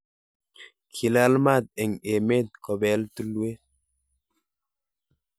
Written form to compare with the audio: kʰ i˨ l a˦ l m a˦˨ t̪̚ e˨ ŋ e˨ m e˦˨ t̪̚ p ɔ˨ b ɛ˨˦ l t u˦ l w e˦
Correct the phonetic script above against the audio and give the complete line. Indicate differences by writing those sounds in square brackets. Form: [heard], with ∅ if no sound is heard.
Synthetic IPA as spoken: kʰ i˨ l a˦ l m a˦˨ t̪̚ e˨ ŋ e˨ m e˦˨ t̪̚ [k] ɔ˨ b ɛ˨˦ l t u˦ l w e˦